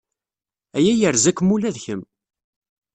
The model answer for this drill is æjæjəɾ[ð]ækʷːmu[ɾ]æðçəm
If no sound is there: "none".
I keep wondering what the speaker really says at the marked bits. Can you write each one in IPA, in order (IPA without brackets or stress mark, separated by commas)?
z, l